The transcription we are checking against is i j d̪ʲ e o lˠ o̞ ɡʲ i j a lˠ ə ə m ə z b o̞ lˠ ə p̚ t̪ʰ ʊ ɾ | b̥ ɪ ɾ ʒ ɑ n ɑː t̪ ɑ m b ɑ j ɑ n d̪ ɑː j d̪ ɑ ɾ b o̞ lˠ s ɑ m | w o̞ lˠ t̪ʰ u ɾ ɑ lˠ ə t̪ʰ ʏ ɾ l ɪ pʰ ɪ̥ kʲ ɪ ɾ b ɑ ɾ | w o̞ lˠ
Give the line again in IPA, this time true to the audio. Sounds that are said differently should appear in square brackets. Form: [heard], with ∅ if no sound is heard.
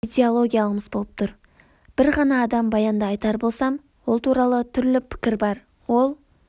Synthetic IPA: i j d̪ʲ e o lˠ o̞ ɡʲ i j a lˠ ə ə m ə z b o̞ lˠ ə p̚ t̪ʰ ʊ ɾ | b̥ ɪ ɾ [ʁ] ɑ n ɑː [d̪] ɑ m b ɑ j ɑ n d̪ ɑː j [t̪] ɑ ɾ b o̞ lˠ s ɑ m | w o̞ lˠ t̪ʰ u ɾ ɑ lˠ ə t̪ʰ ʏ ɾ l ɪ pʰ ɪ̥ kʲ ɪ ɾ b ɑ ɾ | w o̞ lˠ